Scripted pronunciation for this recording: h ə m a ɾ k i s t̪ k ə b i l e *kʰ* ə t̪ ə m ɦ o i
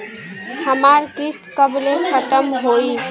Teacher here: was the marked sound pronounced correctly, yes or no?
yes